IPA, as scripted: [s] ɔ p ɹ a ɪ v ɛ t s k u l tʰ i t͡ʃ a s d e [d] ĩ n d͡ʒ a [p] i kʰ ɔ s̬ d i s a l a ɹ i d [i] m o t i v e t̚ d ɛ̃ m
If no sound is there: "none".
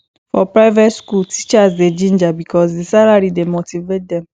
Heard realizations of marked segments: f, d͡ʒ, b, e

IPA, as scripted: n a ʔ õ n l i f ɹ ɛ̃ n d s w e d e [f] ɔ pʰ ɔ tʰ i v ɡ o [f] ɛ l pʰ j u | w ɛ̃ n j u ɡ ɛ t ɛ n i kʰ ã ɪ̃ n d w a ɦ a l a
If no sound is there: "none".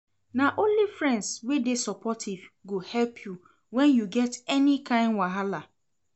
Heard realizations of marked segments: s, h

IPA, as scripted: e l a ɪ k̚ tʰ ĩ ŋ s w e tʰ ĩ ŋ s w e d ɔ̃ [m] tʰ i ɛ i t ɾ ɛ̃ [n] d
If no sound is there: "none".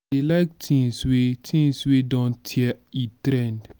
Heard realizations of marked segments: n, n

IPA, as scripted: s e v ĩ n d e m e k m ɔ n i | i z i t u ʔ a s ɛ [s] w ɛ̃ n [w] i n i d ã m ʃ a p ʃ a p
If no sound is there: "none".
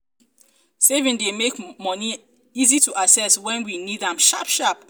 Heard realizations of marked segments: s, w

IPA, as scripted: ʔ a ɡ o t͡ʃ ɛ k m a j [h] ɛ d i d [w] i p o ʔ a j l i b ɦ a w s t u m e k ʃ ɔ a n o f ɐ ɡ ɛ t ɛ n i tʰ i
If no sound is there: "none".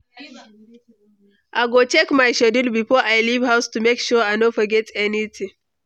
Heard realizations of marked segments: ʃ, b

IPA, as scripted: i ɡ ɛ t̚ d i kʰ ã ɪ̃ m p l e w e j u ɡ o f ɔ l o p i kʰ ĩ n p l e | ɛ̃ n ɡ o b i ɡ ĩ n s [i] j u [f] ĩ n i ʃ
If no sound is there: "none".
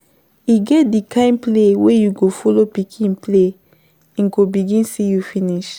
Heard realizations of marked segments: i, f

